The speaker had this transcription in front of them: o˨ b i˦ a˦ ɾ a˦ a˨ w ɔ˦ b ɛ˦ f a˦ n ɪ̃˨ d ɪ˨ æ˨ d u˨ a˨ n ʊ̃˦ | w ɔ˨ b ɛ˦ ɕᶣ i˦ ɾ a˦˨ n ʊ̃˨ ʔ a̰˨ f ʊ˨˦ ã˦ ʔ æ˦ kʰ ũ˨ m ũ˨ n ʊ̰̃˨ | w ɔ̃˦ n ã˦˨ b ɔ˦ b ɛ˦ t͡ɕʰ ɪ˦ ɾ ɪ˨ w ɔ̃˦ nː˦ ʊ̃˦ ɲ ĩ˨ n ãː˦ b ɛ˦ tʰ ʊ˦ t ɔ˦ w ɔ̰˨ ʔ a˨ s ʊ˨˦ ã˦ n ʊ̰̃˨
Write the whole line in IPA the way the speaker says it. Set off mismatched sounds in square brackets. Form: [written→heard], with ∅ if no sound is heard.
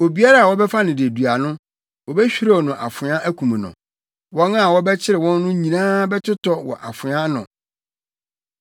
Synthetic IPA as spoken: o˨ b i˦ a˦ ɾ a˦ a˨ w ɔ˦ b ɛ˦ f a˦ n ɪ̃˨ d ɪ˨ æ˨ d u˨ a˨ n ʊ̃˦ | w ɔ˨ b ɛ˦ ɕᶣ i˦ ɾ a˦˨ n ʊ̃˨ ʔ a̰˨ f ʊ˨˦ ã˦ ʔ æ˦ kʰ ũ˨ m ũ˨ n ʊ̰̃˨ | w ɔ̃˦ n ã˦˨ [b→w] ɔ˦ b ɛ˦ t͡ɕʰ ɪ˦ ɾ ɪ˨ w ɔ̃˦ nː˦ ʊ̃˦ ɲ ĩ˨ n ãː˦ b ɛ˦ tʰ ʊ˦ t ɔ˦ w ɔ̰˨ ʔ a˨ [s→f] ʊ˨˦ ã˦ n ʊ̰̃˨